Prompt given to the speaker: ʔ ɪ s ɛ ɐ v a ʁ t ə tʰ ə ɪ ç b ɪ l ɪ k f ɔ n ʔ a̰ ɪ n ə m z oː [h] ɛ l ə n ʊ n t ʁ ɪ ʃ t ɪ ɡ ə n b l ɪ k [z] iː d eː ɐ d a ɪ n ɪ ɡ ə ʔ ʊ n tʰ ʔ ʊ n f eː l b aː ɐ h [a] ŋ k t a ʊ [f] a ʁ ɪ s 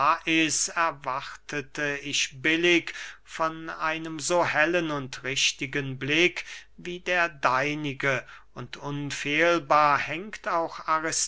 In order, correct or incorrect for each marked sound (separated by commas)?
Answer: correct, incorrect, incorrect, incorrect